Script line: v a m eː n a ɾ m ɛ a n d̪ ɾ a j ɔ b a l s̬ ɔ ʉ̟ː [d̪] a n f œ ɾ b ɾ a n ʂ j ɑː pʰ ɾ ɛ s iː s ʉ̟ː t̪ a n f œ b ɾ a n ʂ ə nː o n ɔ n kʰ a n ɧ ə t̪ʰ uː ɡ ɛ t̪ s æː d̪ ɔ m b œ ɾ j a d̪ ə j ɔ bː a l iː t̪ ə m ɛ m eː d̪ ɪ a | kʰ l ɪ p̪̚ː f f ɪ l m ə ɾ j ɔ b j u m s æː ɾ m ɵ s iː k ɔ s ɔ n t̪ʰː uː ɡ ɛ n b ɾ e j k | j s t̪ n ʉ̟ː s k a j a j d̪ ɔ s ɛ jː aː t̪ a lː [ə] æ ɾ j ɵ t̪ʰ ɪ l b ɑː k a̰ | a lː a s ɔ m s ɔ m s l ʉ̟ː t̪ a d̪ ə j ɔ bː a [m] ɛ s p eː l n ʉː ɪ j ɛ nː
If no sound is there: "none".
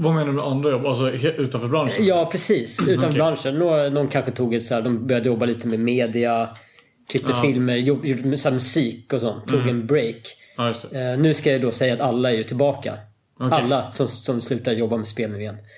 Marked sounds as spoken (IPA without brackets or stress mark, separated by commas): t̪, a, m